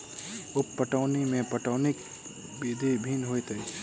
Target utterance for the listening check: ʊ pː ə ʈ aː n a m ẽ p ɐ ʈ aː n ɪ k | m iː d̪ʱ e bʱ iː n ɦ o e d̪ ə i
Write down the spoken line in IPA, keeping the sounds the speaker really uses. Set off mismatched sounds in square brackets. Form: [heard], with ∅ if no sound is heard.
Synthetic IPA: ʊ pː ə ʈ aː n [i] m ẽ p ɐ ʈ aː n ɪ k | [b] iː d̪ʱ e bʱ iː n ɦ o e [t̪] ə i